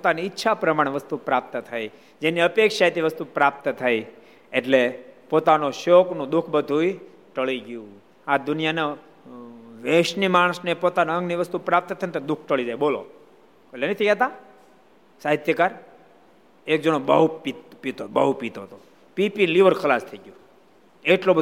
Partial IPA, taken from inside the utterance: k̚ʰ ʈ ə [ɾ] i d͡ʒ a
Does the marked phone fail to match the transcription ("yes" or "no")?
yes